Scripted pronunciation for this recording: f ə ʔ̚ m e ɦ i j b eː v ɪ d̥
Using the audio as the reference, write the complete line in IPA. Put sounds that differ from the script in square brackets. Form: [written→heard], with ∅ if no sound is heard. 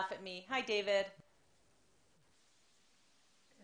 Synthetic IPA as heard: f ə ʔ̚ m [e→i] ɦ [i→a] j [b→d] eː v ɪ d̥